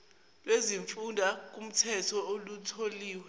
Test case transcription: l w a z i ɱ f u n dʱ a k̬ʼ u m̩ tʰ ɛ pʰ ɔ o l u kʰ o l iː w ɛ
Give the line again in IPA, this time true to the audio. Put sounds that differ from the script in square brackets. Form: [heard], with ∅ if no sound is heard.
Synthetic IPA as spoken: l w [e] z i ɱ f u n dʱ a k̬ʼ u m̩ tʰ ɛ [tʰ] ɔ o l u [tʰ] o l iː w ɛ